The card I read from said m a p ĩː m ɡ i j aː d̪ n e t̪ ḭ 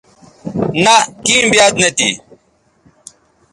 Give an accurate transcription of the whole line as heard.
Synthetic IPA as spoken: n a k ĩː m b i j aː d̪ n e t̪ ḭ